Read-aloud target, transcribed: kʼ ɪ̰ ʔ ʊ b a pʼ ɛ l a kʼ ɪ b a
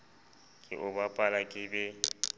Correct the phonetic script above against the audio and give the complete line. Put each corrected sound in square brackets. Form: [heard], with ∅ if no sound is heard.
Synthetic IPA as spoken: kʼ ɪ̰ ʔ ʊ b a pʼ [a] l a kʼ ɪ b [ɛ]